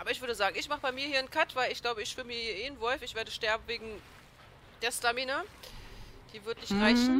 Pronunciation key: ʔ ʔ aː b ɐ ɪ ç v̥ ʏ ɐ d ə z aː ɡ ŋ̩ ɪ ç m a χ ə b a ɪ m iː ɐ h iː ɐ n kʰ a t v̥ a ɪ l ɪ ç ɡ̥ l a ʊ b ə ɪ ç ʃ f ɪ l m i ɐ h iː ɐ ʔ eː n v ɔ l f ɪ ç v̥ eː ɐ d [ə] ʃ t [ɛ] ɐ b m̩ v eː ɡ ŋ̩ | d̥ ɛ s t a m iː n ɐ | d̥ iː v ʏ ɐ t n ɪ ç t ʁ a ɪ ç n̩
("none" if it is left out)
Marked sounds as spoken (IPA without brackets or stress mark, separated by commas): ə, ɛ